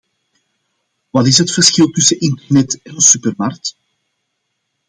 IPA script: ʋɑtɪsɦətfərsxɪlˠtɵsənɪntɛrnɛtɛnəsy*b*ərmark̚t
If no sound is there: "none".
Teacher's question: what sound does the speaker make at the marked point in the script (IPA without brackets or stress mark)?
p